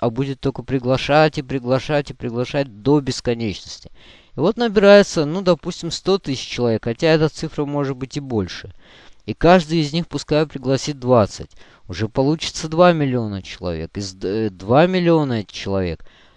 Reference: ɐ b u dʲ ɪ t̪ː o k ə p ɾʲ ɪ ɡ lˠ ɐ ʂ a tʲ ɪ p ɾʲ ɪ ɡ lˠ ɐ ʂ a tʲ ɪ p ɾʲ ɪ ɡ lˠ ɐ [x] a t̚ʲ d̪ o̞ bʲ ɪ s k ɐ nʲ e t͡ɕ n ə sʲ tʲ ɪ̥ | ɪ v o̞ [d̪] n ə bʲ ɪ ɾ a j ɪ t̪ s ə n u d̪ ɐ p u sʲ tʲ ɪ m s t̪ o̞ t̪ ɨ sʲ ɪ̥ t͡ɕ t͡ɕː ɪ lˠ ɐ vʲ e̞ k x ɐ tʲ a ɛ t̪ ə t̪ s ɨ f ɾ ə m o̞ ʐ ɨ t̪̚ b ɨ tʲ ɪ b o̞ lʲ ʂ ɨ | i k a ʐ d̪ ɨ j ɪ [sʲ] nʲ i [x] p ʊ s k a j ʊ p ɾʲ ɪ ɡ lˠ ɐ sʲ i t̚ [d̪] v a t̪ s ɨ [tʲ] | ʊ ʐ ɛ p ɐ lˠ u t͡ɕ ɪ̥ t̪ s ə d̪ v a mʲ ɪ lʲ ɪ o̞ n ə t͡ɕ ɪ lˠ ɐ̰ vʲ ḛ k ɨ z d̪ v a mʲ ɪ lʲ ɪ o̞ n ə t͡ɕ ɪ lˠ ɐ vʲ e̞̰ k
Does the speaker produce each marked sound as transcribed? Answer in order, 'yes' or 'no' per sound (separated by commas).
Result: no, no, no, yes, yes, yes